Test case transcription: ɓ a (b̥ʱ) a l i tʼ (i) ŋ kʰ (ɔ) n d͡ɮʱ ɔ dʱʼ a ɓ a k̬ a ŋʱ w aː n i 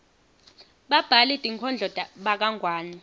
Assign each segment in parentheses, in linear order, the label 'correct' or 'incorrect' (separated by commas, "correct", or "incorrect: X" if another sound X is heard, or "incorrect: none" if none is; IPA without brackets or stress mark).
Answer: correct, correct, correct